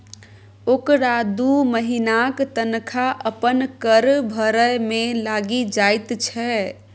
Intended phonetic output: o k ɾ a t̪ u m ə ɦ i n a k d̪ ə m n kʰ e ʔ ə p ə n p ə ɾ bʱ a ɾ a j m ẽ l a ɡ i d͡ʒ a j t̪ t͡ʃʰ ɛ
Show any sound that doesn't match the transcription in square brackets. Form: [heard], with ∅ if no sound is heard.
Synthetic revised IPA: o k ɾ a [d̪] u m ə ɦ i n a k [t̪] ə [∅] n kʰ [a] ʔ ə p ə n [k] ə ɾ bʱ [ə] ɾ [ə] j m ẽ l a ɡ i d͡ʒ a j t̪ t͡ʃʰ ɛ